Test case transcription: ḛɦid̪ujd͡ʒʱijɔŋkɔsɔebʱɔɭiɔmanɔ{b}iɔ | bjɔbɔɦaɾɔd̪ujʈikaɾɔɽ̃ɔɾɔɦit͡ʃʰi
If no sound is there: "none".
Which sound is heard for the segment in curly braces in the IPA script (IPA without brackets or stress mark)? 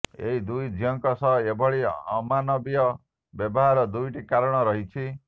b